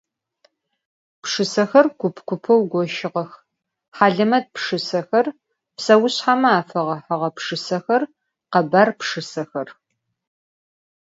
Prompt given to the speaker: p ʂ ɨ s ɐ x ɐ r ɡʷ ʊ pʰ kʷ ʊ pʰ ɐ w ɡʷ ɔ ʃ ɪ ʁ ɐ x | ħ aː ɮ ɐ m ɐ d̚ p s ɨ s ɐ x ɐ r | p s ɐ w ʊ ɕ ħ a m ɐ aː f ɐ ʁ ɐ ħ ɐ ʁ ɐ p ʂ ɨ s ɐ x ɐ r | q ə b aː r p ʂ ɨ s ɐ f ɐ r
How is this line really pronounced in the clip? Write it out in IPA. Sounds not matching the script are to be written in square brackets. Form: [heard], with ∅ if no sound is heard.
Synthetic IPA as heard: p ʂ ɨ s ɐ x ɐ r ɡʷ ʊ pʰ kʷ ʊ pʰ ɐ w ɡʷ ɔ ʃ ɪ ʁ ɐ x | ħ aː ɮ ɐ m ɐ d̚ p [ʂ] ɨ s ɐ x ɐ r | p s ɐ w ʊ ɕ ħ a m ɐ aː f ɐ ʁ ɐ ħ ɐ ʁ ɐ p ʂ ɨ s ɐ x ɐ r | q [ɐ] b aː r p ʂ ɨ s ɐ [x] ɐ r